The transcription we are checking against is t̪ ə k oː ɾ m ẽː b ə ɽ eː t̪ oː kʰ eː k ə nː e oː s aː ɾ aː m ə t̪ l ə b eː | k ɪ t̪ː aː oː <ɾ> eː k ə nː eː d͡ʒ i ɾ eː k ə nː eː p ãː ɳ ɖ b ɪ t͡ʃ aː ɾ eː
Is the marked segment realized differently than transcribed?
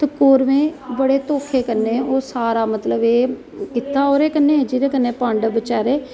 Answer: no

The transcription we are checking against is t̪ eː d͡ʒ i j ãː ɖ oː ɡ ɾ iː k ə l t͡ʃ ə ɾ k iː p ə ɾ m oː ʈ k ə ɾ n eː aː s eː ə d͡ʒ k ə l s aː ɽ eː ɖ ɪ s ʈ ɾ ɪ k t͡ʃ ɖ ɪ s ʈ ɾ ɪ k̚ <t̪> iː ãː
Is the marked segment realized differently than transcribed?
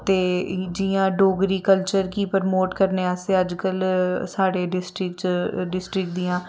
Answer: yes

